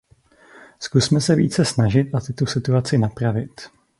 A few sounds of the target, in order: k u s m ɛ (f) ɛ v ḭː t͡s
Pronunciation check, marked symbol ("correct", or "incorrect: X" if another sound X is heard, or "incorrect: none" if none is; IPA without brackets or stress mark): incorrect: s